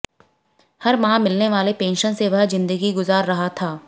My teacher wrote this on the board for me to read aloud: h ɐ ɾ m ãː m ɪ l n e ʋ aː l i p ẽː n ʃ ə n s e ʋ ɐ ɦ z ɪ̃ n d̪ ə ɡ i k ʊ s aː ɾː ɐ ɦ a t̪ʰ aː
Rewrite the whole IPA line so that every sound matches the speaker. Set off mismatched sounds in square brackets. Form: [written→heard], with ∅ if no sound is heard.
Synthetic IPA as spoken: h ɐ ɾ m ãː m ɪ l n e ʋ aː l [i→e] p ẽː n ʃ ə n s e ʋ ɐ ɦ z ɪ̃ n d̪ ə ɡ i [k→ɡ] ʊ [s→z] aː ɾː ɐ ɦ a t̪ʰ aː